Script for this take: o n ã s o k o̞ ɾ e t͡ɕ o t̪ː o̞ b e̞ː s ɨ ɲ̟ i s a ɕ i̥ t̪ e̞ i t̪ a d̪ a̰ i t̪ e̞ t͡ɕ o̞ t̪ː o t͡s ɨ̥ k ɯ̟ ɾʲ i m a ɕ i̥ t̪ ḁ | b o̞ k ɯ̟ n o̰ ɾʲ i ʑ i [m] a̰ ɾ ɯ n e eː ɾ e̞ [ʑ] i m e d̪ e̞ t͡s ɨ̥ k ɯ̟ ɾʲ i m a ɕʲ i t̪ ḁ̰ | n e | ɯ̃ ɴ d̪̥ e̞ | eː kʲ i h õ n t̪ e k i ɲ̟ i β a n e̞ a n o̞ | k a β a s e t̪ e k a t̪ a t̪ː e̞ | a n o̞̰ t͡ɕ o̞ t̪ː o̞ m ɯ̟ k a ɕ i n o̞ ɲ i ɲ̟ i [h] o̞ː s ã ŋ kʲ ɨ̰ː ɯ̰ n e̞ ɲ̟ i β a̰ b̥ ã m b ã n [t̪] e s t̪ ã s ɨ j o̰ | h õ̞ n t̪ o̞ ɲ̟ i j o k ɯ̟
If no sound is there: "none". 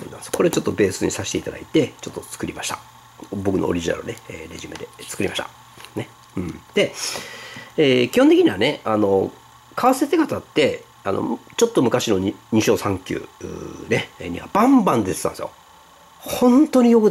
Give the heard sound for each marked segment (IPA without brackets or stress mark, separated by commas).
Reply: n, ʑ, ɕ, d̪